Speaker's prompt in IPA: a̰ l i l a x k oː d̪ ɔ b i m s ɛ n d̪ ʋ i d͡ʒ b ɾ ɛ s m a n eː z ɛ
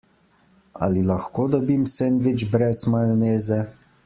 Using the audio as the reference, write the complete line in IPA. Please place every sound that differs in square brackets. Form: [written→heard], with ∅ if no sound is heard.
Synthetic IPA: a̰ l i l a x k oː d̪ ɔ b i m s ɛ n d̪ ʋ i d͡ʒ b ɾ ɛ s m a n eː z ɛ